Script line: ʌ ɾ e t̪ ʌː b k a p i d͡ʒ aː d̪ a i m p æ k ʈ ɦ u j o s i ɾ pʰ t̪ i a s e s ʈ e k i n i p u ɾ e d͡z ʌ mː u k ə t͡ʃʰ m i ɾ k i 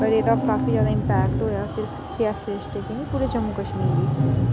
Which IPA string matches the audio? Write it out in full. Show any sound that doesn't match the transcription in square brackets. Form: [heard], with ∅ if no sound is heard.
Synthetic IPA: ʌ ɾ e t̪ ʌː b k a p i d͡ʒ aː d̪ a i m p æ k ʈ ɦ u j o s i ɾ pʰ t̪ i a s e s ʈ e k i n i p u ɾ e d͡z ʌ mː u k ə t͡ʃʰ m i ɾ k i